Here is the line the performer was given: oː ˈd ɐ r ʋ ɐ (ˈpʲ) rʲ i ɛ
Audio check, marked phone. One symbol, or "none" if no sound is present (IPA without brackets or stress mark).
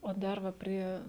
pʲ